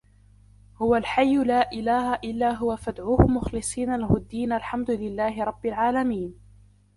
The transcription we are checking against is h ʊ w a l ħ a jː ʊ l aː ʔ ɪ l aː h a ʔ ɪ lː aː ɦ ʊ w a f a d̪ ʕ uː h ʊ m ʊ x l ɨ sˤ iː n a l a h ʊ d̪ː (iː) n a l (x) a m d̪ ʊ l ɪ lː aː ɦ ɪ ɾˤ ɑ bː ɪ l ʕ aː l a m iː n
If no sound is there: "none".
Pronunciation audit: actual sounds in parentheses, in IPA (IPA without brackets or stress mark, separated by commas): iː, ħ